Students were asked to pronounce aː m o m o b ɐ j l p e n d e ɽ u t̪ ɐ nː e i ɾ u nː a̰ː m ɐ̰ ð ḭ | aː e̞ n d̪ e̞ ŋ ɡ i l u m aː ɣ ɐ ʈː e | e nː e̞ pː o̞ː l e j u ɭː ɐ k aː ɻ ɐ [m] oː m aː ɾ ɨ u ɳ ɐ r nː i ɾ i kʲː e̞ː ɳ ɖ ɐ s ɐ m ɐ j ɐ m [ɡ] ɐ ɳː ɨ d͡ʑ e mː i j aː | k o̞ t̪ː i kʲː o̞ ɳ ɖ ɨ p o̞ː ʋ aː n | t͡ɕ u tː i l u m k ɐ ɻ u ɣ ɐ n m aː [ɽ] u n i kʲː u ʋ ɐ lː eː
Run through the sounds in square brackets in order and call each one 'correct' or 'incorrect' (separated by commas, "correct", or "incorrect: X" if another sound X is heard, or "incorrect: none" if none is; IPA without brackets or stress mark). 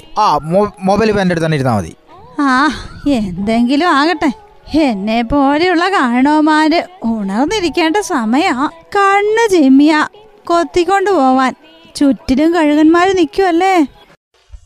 incorrect: ɳ, incorrect: k, incorrect: ɾ